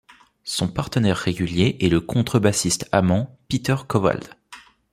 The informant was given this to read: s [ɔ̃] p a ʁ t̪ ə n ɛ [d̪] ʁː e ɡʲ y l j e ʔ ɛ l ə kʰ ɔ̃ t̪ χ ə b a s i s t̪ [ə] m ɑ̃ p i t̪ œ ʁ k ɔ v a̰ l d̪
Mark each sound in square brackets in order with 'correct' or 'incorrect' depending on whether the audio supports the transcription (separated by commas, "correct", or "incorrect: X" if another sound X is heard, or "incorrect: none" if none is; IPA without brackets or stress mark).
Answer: correct, incorrect: none, incorrect: a